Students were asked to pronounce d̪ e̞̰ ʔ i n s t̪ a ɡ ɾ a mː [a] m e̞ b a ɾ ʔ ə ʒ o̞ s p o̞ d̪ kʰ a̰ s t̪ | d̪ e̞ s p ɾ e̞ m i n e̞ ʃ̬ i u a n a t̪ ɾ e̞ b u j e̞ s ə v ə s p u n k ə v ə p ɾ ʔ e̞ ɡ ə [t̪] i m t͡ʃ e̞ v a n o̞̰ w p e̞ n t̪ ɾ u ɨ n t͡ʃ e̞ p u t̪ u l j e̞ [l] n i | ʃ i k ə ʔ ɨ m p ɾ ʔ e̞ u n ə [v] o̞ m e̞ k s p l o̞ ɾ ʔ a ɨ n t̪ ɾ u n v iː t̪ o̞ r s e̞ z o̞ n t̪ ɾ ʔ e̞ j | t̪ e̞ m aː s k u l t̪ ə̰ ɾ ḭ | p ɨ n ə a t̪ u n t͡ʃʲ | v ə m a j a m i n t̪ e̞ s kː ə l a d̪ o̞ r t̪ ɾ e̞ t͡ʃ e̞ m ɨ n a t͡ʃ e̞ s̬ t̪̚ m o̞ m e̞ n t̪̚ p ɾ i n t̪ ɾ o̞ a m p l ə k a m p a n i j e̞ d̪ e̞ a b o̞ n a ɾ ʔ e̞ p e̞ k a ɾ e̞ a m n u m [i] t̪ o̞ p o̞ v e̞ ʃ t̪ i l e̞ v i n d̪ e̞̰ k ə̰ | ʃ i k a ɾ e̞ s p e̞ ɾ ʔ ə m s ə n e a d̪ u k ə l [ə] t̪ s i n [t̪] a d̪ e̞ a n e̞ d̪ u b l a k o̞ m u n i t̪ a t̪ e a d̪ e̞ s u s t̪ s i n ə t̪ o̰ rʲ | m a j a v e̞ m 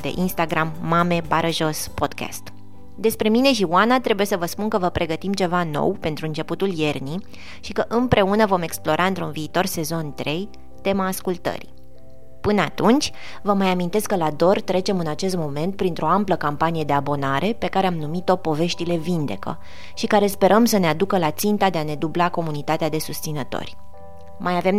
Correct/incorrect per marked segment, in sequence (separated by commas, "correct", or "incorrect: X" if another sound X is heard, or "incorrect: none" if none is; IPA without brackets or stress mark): correct, correct, incorrect: r, correct, correct, incorrect: a, correct